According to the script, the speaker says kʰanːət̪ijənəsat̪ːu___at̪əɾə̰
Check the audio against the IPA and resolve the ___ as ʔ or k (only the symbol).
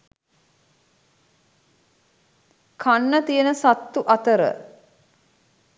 ʔ